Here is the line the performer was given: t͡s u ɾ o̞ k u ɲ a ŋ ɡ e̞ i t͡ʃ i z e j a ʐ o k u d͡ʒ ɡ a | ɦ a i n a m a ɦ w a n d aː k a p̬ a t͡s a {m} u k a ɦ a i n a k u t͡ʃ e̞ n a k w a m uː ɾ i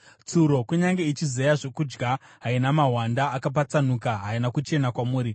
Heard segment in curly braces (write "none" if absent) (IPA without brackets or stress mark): n